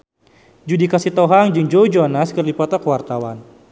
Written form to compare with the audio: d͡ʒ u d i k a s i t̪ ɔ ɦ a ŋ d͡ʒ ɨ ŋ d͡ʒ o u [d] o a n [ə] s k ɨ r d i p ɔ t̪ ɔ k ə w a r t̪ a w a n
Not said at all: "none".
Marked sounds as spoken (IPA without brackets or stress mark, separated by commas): d͡ʒ, a